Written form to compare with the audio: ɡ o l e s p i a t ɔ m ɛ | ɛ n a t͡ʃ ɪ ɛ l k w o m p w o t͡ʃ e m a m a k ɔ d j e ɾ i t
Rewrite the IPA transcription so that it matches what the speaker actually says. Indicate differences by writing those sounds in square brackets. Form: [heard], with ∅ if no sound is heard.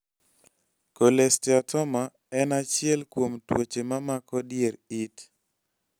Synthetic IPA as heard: [k] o l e s [t] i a t ɔ m [a] | ɛ n a t͡ʃ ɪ ɛ l k w o m [t] w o t͡ʃ e m a m a k ɔ d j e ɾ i t